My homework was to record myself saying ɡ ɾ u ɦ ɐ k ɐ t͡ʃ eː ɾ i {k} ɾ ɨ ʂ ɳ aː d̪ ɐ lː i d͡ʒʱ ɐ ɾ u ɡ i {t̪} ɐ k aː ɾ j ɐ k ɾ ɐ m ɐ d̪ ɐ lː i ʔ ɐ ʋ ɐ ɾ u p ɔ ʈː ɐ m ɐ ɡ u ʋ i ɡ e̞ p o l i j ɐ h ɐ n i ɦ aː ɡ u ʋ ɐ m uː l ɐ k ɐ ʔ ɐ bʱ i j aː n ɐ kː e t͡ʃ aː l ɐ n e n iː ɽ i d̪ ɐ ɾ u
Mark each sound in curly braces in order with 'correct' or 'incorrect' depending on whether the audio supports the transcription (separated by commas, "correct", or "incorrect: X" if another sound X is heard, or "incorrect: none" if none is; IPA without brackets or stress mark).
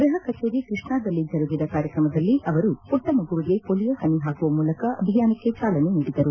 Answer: correct, incorrect: d̪